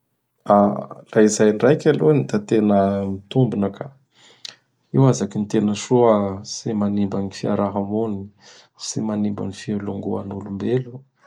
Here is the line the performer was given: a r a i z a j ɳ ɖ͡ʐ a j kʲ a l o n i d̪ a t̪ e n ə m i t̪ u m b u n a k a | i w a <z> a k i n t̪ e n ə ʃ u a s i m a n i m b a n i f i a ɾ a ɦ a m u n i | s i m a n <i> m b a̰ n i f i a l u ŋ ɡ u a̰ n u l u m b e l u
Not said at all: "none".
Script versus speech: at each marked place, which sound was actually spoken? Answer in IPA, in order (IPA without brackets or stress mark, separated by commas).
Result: z, i